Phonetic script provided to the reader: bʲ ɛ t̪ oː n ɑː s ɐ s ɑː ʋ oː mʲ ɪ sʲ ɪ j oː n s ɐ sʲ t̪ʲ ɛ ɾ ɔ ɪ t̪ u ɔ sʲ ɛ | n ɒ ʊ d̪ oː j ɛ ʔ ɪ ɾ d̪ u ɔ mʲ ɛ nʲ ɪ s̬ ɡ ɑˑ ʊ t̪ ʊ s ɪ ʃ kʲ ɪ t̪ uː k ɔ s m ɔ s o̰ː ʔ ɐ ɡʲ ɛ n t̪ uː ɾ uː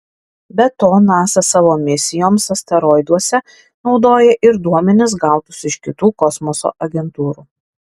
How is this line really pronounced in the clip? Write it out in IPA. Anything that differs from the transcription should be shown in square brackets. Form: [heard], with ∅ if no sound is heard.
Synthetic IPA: bʲ ɛ t̪ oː n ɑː s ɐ s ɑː ʋ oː mʲ ɪ sʲ ɪ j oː [m] s ɐ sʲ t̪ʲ ɛ ɾ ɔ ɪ [d̪] u ɔ sʲ ɛ | n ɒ ʊ d̪ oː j ɛ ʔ ɪ ɾ d̪ u ɔ mʲ ɛ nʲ ɪ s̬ ɡ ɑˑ ʊ t̪ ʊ s ɪ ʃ kʲ ɪ t̪ uː k ɔ s m ɔ s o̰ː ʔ ɐ ɡʲ ɛ n t̪ uː ɾ uː